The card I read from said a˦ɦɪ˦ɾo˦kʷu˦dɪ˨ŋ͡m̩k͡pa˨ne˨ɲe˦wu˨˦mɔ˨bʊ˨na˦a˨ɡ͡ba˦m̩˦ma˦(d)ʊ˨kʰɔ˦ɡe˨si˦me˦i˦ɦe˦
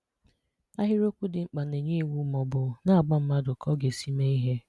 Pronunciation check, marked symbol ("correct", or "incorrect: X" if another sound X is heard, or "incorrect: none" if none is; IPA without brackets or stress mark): correct